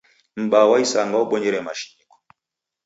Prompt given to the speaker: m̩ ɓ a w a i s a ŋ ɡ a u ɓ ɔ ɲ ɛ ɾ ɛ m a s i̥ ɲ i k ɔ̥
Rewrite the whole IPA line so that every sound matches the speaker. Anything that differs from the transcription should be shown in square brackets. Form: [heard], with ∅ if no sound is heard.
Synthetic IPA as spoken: m̩ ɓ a w a i s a ŋ ɡ a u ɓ ɔ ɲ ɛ ɾ ɛ m a [ʃ] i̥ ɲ i k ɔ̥